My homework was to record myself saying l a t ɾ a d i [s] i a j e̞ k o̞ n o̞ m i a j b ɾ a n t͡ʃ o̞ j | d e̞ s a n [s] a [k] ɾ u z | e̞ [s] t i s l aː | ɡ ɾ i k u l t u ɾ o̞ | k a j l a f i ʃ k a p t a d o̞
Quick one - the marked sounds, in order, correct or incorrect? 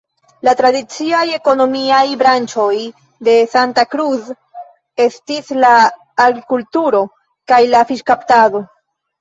incorrect, incorrect, correct, correct

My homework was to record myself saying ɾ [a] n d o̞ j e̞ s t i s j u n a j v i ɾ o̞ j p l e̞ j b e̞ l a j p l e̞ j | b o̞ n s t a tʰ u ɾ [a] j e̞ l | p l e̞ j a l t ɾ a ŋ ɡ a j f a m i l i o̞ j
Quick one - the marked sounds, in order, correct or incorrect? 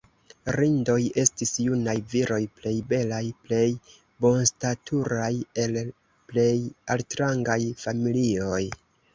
incorrect, correct

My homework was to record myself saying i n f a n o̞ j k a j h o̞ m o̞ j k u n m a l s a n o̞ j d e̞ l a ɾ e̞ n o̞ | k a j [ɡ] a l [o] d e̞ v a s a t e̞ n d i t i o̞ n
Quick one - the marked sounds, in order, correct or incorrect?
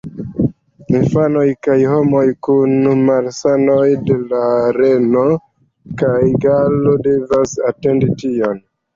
correct, correct

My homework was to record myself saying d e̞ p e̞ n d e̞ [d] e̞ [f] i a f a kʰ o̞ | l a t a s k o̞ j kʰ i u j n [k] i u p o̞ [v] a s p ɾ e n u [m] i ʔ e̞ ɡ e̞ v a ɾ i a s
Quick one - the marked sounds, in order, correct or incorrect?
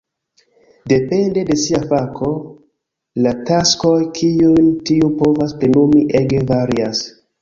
correct, incorrect, incorrect, correct, correct

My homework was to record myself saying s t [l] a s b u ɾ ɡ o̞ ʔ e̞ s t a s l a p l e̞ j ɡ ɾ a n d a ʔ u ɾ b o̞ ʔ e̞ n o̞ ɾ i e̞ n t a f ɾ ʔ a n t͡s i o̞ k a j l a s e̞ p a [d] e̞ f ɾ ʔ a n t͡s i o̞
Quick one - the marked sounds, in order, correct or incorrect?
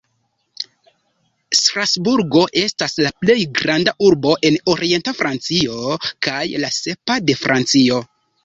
incorrect, correct

